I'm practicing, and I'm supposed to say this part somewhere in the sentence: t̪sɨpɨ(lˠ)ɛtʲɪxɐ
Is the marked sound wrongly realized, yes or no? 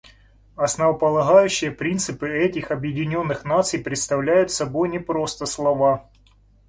yes